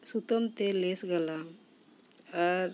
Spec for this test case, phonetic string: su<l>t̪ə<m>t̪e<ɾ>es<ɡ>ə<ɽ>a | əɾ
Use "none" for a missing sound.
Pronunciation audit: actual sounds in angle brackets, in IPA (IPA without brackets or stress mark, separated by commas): none, m, l, ɡ, l